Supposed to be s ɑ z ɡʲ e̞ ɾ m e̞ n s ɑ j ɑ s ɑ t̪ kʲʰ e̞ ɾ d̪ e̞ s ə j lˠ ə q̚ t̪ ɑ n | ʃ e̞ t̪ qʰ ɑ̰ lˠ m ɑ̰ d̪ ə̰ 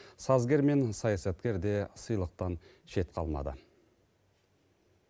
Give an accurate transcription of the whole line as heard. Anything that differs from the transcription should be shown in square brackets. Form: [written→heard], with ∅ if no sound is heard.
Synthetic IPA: s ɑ z ɡʲ e̞ ɾ m e̞ n s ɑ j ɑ s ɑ t̪ [kʲʰ→kʲ] e̞ ɾ d̪ e̞ s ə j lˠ ə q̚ t̪ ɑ n | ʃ e̞ t̪ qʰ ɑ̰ lˠ m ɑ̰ d̪ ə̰